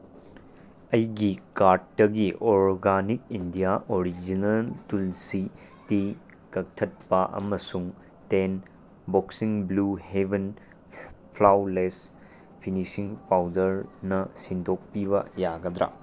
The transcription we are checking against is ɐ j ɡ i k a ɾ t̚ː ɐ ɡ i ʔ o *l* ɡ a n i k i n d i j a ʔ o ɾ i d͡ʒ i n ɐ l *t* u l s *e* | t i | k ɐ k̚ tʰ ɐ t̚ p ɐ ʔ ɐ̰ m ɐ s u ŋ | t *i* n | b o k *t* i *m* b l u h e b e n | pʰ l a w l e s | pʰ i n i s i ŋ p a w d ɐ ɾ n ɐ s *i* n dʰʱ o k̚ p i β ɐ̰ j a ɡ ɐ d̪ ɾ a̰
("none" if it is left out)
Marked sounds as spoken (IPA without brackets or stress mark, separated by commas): ɾ, t, i, e, s, ŋ, i